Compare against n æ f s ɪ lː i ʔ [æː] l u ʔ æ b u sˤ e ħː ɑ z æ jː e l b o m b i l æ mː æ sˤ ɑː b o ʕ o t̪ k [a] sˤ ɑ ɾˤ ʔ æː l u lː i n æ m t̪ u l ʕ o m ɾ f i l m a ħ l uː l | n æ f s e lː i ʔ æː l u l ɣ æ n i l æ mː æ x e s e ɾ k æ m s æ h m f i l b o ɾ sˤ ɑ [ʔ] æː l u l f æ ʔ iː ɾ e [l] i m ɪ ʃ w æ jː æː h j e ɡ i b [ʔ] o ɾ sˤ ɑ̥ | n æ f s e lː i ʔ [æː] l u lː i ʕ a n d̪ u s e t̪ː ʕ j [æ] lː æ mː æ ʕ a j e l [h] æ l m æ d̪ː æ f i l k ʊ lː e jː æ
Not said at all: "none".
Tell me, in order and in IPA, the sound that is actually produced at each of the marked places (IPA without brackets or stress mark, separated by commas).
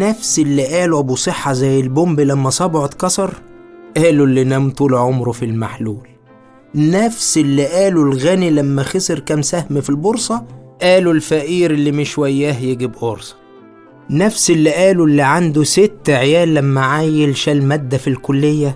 æː, ɑ, ʔ, lː, ʔ, æː, æː, ʃ